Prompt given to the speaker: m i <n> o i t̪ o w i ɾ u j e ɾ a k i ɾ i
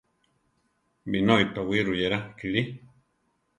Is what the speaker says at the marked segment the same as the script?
yes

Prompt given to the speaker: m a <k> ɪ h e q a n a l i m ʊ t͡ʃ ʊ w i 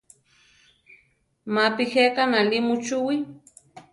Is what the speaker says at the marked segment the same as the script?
no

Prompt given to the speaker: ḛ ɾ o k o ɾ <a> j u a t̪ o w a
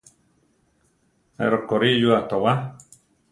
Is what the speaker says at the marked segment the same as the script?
no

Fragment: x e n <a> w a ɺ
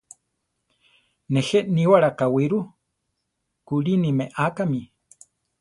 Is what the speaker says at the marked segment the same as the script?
no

